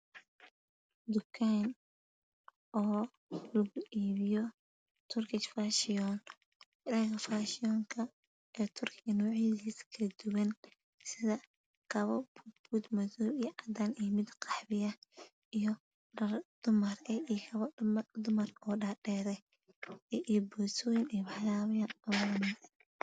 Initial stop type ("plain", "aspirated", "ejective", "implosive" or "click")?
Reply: plain